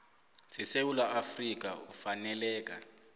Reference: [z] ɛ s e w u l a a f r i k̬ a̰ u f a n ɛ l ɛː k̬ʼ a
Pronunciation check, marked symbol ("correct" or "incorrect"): incorrect